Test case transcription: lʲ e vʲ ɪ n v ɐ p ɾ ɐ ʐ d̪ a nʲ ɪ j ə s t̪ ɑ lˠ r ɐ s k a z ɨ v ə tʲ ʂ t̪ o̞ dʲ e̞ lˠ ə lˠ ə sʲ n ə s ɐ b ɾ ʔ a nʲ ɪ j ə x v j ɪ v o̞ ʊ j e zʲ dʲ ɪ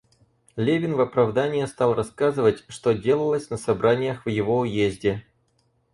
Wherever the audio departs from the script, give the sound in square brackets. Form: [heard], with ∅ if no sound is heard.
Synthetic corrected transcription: lʲ e vʲ ɪ n v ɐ p ɾ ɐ [v] d̪ a nʲ ɪ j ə s t̪ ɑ lˠ r ɐ s k a z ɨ v ə tʲ ʂ t̪ o̞ dʲ e̞ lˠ ə lˠ ə sʲ n ə s ɐ b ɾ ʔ a nʲ ɪ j ə x v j ɪ v o̞ ʊ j e zʲ dʲ ɪ